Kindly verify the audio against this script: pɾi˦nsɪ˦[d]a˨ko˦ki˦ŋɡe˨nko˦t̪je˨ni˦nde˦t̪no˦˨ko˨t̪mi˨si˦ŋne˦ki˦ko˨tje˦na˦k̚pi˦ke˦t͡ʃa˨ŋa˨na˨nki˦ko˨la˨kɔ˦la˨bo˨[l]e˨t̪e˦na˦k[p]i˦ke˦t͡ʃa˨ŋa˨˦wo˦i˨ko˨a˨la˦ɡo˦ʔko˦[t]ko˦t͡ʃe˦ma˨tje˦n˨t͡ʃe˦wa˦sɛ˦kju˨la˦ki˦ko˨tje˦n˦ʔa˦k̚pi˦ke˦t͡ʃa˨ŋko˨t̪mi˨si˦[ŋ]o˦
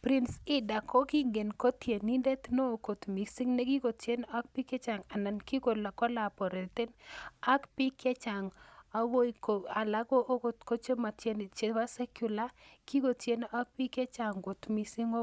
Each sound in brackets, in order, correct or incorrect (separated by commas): correct, incorrect, correct, correct, correct